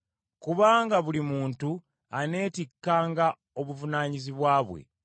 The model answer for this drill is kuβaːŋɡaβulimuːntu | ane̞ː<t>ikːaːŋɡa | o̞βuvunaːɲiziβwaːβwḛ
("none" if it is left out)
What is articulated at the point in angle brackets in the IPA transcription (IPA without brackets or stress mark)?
t